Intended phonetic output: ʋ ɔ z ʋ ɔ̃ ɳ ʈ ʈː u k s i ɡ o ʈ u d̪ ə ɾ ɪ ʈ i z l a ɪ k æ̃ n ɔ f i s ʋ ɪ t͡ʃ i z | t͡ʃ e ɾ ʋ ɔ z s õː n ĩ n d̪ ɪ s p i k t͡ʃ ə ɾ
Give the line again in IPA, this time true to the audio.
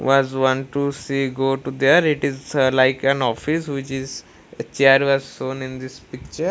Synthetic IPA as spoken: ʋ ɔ z ʋ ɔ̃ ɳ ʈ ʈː u s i ɡ o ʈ u d̪ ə ɾ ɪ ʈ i z l a ɪ k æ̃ n ɔ f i s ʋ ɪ t͡ʃ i z | t͡ʃ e ɾ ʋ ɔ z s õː n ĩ n d̪ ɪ s p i k t͡ʃ ə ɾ